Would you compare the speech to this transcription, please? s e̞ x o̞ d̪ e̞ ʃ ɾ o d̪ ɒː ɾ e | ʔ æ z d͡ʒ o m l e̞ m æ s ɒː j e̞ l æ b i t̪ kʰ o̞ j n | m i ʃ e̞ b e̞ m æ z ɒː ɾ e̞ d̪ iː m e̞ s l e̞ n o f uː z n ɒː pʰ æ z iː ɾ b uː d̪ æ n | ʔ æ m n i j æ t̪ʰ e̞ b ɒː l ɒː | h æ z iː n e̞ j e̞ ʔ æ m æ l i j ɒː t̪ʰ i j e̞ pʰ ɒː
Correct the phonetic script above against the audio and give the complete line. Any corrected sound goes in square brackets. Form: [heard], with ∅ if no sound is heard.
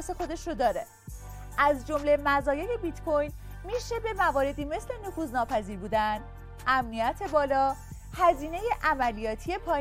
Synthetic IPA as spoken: s e̞ x o̞ d̪ e̞ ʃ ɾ o d̪ ɒː ɾ e | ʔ æ z d͡ʒ o m l e̞ m æ [z] ɒː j e̞ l [e] b i t̪ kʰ o̞ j n | m i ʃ e̞ b e̞ m æ [v] ɒː ɾ e̞ d̪ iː m e̞ s l e̞ n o f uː z n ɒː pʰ æ z iː ɾ b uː d̪ æ n | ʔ æ m n i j æ t̪ʰ e̞ b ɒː l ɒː | h æ z iː n e̞ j e̞ ʔ æ m æ l i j ɒː t̪ʰ i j e̞ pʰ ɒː